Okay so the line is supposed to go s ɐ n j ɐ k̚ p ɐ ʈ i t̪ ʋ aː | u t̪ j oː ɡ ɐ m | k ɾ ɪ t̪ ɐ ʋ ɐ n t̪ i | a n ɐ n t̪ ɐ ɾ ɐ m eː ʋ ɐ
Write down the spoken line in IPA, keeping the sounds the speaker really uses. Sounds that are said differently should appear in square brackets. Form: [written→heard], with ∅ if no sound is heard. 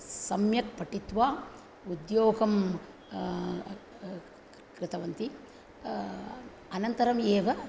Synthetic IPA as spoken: s ɐ [n→m] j ɐ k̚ p ɐ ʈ i t̪ ʋ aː | u [t̪→d̪] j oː ɡ ɐ m | k ɾ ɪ t̪ ɐ ʋ ɐ n t̪ i | [a→ɐ] n ɐ n t̪ ɐ ɾ ɐ m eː ʋ ɐ